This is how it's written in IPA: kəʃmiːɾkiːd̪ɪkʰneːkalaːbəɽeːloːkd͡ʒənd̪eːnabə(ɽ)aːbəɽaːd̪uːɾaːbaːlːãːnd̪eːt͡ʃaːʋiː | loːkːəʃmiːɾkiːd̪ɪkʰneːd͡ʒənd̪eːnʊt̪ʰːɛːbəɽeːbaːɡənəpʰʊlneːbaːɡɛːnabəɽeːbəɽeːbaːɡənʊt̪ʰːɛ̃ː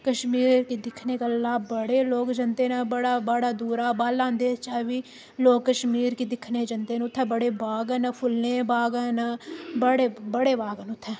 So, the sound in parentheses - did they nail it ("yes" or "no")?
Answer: yes